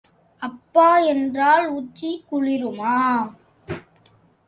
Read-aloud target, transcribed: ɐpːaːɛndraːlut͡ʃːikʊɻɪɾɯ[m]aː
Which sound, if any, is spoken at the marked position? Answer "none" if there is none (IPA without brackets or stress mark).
m